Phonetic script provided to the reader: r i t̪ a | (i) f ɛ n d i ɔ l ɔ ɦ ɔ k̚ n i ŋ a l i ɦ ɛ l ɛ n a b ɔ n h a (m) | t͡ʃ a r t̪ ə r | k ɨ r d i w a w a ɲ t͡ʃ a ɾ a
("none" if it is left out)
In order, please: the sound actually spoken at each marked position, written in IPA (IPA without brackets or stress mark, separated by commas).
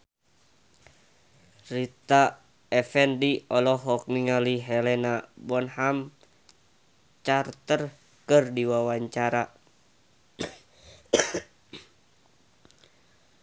ɛ, m